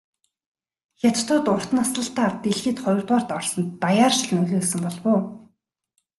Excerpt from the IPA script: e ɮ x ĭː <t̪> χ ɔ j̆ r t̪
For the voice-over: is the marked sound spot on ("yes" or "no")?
yes